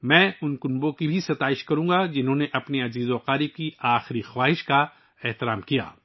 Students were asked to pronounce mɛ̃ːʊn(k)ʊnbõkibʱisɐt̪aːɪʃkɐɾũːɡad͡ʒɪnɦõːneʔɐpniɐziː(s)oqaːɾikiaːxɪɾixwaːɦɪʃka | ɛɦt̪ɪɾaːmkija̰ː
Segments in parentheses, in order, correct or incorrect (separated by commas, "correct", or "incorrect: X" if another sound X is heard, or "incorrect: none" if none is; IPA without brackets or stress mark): correct, incorrect: z